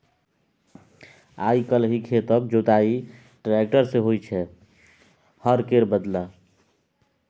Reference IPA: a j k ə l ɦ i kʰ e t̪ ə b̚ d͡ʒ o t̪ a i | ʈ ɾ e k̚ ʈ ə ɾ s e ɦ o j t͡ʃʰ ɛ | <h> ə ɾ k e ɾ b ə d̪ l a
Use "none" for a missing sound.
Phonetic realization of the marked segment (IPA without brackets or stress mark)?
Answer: h